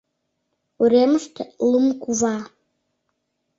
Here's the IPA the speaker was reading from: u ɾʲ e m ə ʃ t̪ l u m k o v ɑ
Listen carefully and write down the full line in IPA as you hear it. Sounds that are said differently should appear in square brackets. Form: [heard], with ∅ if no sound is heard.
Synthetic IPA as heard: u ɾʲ e m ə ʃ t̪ l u m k [u] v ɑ